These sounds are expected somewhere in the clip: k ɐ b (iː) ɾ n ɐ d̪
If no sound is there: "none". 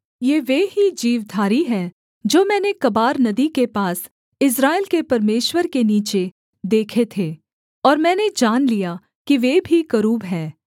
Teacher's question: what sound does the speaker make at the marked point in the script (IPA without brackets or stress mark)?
aː